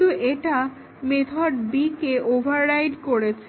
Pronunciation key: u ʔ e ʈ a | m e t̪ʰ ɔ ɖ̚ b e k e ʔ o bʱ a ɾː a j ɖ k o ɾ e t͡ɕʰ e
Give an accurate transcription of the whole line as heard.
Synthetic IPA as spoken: u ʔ e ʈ a | m e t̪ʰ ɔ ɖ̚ b i k e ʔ o bʱ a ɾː a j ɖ k o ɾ e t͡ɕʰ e

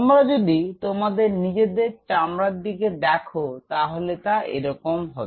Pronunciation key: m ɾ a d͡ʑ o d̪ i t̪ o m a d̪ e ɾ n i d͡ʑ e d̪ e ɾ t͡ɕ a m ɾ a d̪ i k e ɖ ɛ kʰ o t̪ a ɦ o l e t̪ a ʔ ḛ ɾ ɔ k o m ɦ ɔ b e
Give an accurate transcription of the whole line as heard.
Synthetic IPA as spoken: m ɾ a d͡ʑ o d̪ i t̪ o m a d̪ e ɾ n i d͡ʑ e d̪ e ɾ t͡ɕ a m ɾ a d̪ i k e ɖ ɛ kʰ o t̪ a ɦ o l e t̪ a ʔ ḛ ɾ ɔ k o m ɦ ɔ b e

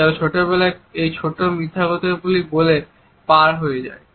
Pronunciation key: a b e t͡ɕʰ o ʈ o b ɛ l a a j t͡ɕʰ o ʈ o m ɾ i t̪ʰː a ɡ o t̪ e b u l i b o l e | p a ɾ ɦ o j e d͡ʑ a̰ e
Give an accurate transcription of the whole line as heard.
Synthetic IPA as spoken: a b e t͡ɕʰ o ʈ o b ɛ l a e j t͡ɕʰ o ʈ o m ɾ i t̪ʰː a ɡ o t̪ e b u l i b o l e | p a ɾ ɦ o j e d͡ʑ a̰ e

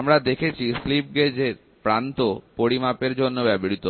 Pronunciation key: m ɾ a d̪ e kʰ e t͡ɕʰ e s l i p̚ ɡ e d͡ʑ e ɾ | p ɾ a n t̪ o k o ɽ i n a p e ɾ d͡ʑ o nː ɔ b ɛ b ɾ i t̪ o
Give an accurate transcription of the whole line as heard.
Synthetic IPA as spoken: m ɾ a d̪ e kʰ e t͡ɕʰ i s l i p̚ ɡ e d͡ʑ e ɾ | p ɾ a n t̪ o p o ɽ i m a p e ɾ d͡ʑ o nː o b ɛ b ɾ i t̪ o

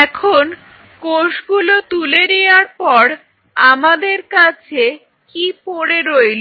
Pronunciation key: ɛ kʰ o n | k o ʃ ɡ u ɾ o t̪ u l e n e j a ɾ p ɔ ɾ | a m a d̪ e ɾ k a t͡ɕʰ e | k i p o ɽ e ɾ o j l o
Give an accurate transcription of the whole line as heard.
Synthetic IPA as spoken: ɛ kʰ o n | k o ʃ ɡ u l o t̪ u l e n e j a ɾ p ɔ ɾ | a m a d̪ e ɾ k a t͡ɕʰ e | k i p o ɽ e ɾ o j l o

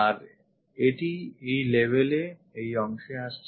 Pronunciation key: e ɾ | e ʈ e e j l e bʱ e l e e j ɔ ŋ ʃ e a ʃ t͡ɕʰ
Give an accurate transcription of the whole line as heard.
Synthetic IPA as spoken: a ɾ | e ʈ i e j l e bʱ e l e e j ɔ ŋ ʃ e a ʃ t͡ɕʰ

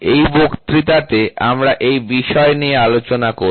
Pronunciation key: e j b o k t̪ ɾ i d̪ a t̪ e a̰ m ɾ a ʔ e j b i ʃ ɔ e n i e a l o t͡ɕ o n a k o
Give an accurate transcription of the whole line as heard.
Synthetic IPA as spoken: e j b o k t̪ ɾ i t̪ a t̪ e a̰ m ɾ a ʔ e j b i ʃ ɔ e n i e a l o t͡ɕ o n a k o

